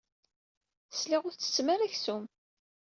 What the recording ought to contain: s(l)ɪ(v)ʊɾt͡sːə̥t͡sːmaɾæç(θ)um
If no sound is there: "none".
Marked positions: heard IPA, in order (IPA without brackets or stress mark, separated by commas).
l, ʁ, s